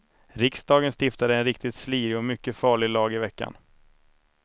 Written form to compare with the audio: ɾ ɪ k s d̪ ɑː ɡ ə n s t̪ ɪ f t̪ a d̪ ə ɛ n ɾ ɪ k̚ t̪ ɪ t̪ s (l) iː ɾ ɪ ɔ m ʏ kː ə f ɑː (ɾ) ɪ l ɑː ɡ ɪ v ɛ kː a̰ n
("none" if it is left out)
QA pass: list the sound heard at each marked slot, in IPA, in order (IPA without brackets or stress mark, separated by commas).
l, ɭ